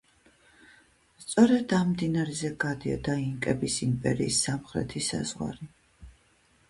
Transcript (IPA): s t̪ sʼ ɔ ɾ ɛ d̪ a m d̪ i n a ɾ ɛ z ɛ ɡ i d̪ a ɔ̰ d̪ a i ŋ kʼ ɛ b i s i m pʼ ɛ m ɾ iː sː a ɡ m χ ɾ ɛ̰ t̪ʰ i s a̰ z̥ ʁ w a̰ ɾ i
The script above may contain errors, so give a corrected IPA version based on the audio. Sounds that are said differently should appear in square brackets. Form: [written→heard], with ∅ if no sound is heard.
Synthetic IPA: s t̪ sʼ ɔ ɾ ɛ d̪ a m d̪ i n a ɾ ɛ z ɛ ɡ [i→a] d̪ [a→i] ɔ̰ d̪ a i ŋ kʼ ɛ b i s i m pʼ ɛ [m→∅] ɾ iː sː a [ɡ→∅] m χ ɾ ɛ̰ t̪ʰ i s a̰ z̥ ʁ w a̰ ɾ i